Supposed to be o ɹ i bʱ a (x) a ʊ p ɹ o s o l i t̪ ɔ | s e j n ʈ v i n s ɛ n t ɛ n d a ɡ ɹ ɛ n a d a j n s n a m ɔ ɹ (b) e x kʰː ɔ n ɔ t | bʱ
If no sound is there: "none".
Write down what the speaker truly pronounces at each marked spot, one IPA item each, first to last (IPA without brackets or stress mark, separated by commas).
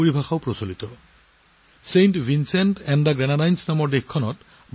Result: x, d